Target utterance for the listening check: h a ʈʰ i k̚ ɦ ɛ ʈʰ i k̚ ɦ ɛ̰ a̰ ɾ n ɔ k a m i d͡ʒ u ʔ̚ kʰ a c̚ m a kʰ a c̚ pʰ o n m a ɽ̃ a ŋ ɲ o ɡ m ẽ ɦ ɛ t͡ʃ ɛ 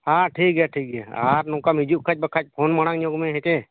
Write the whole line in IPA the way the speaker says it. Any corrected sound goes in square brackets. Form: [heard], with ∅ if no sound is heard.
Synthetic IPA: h a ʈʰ i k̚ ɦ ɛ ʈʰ i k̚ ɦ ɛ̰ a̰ ɾ n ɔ k a m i d͡ʒ u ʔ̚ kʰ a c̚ [b] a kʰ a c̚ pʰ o n m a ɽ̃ a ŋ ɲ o ɡ m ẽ ɦ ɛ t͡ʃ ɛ